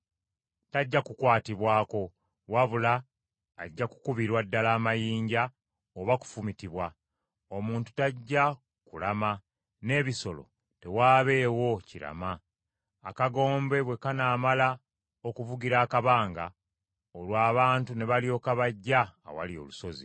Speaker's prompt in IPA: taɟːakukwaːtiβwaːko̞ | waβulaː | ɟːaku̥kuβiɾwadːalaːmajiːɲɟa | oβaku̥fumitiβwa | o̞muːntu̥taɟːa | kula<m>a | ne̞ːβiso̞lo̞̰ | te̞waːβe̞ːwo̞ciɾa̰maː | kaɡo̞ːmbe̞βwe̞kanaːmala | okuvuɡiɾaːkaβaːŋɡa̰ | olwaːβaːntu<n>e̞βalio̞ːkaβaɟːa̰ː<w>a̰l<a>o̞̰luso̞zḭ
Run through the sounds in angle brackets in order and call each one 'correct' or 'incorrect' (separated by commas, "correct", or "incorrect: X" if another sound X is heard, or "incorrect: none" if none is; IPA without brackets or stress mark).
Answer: correct, correct, correct, incorrect: i